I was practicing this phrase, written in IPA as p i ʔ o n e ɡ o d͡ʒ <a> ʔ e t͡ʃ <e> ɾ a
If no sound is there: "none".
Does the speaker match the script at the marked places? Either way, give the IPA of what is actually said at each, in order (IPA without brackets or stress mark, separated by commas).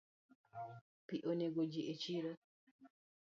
i, i